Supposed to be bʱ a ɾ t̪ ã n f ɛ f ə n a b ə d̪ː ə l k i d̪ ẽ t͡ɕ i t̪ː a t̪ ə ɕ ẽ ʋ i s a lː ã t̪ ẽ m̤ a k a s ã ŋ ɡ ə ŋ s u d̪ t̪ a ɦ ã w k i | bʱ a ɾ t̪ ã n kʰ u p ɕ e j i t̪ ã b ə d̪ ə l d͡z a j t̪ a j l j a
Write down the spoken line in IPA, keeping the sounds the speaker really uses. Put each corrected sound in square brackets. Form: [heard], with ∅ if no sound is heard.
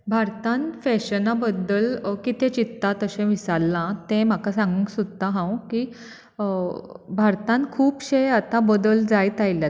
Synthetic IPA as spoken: bʱ a ɾ t̪ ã n f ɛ [ɕ] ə n a b ə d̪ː ə l k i [t̪] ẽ t͡ɕ i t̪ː a t̪ ə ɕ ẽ ʋ i s a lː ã t̪ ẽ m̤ a k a s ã ŋ ɡ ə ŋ s u d̪ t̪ a ɦ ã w k i | bʱ a ɾ t̪ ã n kʰ [uː] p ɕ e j [a] t̪ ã b ə d̪ ə l d͡z a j t̪ a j l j a

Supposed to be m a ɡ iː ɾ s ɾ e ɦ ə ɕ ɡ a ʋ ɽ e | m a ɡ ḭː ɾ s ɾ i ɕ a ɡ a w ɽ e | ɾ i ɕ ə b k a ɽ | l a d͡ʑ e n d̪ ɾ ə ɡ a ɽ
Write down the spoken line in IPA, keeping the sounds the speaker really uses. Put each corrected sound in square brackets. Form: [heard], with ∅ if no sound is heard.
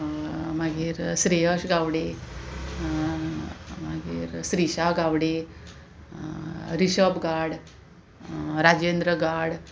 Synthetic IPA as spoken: m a ɡ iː ɾ s ɾ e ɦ ə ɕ ɡ a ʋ ɽ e | m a ɡ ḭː ɾ s ɾ i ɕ a ɡ a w ɽ e | ɾ i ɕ ə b [ɡ] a ɽ | [ɾ] a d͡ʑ e n d̪ ɾ ə ɡ a ɽ

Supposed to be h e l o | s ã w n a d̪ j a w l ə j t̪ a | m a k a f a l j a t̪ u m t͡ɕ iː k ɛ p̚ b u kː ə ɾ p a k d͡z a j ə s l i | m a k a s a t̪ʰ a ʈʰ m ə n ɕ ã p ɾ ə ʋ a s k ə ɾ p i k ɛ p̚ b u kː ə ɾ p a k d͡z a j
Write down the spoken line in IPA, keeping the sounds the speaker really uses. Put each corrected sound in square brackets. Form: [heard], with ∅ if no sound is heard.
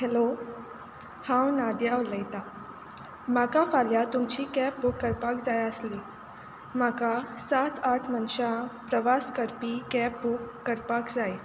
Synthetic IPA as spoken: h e l o | [h] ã w n a d̪ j a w l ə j t̪ a | m a k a f a l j a t̪ u m t͡ɕ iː k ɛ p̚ b u kː ə ɾ p a k d͡z a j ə s l i | m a k a s a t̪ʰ a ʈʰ m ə n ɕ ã p ɾ ə ʋ a s k ə ɾ p i k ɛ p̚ b u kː ə ɾ p a k d͡z a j

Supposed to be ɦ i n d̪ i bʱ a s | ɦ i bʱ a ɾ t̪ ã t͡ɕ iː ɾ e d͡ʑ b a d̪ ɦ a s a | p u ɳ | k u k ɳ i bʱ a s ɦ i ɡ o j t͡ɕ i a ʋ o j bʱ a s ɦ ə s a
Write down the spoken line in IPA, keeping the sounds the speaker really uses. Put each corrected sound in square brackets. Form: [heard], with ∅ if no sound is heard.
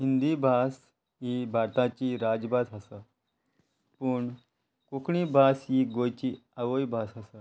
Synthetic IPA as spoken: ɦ i n d̪ i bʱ a s | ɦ i bʱ a ɾ t̪ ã t͡ɕ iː ɾ [a] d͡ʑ b a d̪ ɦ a s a | p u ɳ | k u k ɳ i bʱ a s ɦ i ɡ o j t͡ɕ i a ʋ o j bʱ a s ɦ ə s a

